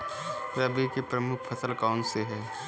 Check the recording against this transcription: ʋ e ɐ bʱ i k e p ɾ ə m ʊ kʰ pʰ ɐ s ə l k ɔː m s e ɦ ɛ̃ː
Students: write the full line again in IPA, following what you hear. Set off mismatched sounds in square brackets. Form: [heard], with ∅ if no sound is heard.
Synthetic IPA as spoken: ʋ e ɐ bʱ i k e p ɾ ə m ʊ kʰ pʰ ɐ s ə l k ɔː [n] s e ɦ [ɛː]